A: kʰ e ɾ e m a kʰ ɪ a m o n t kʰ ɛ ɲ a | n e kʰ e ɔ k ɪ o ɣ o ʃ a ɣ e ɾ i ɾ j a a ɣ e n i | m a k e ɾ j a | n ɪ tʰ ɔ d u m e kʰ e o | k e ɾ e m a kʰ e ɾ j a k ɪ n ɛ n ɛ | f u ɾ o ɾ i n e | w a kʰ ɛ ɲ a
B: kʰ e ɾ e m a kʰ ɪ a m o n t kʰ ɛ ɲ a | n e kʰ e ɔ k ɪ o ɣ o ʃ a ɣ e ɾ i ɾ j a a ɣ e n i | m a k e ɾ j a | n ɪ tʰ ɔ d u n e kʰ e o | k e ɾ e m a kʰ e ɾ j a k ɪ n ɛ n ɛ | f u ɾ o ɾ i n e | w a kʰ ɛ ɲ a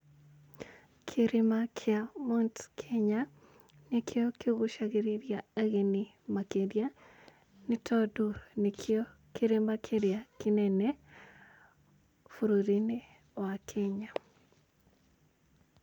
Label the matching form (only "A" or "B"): B